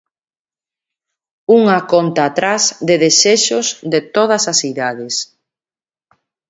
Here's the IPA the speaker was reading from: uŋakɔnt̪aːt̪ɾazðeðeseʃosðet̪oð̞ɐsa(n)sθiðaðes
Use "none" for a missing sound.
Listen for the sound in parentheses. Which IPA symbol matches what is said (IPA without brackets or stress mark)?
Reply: none